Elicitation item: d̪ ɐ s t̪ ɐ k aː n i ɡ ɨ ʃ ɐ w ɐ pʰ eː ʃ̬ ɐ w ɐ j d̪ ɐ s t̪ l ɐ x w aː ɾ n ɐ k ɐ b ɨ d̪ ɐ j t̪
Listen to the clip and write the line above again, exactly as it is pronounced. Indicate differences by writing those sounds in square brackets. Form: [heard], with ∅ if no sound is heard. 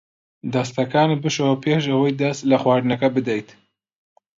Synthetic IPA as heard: d̪ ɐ s t̪ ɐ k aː n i [b] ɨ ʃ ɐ w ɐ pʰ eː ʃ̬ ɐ w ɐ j d̪ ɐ s t̪ l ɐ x w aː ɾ n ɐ k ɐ b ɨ d̪ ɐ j t̪